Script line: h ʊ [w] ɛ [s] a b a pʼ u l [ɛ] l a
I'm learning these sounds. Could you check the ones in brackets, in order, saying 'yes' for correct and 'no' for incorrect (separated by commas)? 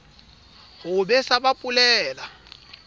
no, yes, no